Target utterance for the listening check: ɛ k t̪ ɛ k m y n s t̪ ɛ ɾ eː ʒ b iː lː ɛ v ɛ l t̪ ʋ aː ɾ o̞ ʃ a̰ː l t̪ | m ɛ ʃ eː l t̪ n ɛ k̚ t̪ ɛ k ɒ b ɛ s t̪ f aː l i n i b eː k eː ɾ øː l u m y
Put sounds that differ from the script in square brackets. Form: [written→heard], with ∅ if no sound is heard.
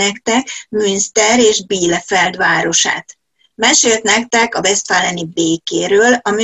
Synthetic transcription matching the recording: ɛ k t̪ ɛ k m y n s t̪ ɛ ɾ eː ʒ b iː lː ɛ [v→f] ɛ l [t̪→d̪] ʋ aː ɾ o̞ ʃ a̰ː [l→∅] t̪ | m ɛ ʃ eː l t̪ n ɛ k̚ t̪ ɛ k ɒ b ɛ s t̪ f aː l [i→ɛ] n i b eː k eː ɾ øː l [u→ɒ] m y